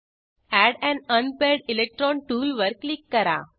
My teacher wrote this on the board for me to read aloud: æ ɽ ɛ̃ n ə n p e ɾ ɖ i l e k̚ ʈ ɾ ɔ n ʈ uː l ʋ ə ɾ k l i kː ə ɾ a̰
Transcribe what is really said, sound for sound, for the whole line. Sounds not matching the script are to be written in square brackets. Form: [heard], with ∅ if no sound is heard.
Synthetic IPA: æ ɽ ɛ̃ n ə n p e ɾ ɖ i l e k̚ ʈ ɾ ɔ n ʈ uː l ʋ ə ɾ k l i kː ə ɾ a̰